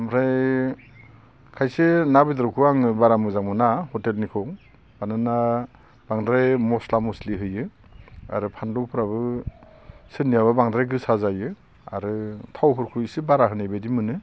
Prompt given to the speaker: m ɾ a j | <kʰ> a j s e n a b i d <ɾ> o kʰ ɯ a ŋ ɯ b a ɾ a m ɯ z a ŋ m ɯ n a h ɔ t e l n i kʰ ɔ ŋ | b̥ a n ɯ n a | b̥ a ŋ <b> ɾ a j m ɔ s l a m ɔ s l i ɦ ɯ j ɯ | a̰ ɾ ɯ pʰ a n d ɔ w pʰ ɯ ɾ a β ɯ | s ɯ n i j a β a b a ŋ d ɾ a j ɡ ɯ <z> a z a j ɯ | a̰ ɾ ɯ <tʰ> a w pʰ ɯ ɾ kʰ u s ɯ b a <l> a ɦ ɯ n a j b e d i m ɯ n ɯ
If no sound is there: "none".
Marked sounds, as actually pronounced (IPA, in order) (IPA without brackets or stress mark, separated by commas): kʰ, ɾ, d, s, tʰ, ɾ